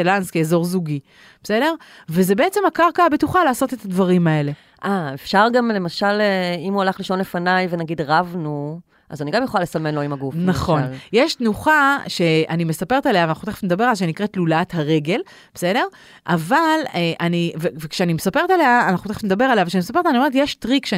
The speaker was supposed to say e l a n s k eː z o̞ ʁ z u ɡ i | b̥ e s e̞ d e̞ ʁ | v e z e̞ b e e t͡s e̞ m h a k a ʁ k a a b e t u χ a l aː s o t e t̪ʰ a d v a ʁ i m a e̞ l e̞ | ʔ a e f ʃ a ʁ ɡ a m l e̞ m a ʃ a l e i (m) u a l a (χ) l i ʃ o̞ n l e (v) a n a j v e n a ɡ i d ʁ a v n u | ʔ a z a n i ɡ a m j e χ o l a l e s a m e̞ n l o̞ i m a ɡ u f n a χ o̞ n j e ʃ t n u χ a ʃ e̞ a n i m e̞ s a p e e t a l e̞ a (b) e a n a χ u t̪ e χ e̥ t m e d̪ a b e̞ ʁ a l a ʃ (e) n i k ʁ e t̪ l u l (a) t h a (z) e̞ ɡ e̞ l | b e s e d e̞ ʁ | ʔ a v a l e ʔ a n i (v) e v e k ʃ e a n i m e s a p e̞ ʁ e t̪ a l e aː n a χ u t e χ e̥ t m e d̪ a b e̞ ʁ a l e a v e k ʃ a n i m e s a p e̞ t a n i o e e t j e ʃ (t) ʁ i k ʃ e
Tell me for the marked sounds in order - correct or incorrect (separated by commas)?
correct, correct, incorrect, incorrect, correct, correct, incorrect, correct, correct